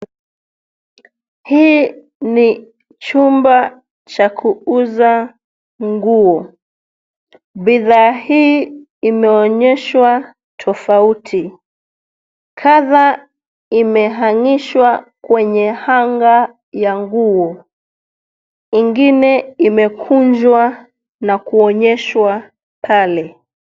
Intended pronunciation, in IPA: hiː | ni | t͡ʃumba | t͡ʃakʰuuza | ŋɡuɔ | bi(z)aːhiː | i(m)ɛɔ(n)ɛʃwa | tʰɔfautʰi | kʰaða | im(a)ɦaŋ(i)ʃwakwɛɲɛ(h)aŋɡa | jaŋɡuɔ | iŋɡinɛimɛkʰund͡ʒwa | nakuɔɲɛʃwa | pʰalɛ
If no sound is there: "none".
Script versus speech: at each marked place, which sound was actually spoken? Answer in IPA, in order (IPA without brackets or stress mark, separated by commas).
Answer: ð, m, ɲ, ɛ, i, h